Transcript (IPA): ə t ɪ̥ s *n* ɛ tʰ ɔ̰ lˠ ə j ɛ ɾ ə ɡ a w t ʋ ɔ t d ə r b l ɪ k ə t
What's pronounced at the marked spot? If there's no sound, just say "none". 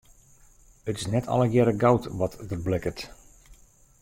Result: n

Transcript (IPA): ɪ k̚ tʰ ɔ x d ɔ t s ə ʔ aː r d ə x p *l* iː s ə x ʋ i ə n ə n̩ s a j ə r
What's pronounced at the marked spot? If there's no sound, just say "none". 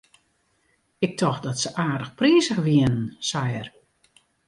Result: r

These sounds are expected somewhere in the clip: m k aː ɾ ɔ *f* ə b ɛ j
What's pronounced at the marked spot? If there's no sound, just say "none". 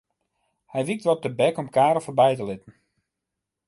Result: f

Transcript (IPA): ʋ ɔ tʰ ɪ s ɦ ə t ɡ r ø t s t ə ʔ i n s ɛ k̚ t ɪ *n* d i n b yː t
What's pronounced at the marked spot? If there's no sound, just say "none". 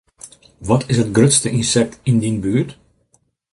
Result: n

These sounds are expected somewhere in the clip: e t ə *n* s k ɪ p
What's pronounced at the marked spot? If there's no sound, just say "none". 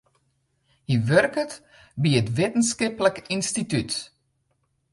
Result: n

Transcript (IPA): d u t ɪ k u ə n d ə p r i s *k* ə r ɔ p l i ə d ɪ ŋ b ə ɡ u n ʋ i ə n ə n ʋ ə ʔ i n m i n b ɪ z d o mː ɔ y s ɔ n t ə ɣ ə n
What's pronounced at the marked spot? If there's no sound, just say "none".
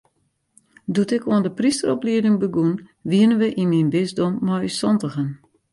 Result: t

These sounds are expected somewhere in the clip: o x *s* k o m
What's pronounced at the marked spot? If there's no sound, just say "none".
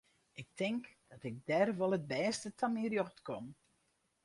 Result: t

